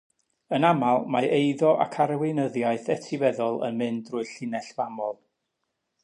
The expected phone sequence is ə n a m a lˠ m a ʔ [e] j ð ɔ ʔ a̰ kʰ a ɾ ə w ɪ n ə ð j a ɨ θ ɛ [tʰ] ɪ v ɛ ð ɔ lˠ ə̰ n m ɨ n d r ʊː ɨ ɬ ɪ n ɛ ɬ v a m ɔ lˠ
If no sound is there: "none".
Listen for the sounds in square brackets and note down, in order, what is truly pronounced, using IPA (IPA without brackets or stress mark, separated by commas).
e, tʰ